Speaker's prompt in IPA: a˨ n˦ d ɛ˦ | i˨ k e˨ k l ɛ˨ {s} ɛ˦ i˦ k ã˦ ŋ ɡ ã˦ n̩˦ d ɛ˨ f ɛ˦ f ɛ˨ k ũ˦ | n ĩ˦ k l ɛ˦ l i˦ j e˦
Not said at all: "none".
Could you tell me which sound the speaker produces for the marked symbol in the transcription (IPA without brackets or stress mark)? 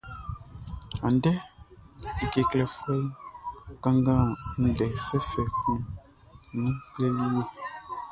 f